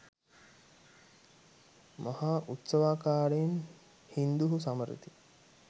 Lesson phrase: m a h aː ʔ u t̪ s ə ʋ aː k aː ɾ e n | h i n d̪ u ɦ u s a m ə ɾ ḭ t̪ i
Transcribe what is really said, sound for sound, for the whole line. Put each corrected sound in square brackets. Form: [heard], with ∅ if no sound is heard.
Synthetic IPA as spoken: m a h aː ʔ u t̪ s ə ʋ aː k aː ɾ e n | h i n d̪ u ɦ u s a m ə ɾ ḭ t̪ i

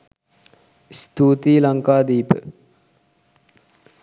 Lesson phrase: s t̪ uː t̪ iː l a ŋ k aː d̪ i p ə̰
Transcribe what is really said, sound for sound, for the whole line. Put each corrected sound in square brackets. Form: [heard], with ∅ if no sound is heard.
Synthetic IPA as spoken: s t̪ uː t̪ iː l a ŋ k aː d̪ [iː] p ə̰

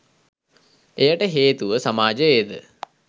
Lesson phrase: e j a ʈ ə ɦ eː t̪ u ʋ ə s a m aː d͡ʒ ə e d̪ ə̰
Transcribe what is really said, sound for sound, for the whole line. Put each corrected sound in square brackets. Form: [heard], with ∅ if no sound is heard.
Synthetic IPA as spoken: e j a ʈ ə ɦ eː t̪ u ʋ ə s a m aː d͡ʒ ə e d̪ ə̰

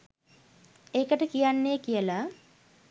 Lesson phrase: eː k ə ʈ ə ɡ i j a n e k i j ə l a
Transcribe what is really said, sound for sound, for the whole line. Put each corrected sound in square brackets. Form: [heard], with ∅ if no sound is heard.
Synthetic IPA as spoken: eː k ə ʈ ə [k] i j a [nː] e k i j ə l a

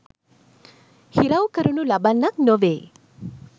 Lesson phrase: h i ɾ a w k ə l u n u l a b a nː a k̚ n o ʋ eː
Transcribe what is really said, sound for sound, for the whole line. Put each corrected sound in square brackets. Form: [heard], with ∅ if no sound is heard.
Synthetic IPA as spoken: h i ɾ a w k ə [ɾ] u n u l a b a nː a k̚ n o ʋ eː

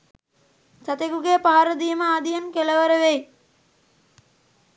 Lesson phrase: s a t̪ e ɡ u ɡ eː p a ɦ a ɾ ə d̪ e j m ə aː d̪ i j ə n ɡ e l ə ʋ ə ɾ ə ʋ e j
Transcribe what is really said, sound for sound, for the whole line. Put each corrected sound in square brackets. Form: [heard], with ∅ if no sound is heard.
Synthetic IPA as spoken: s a t̪ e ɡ u ɡ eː p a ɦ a ɾ ə d̪ [i] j m ə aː d̪ i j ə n [k] e l ə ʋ ə ɾ ə ʋ e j

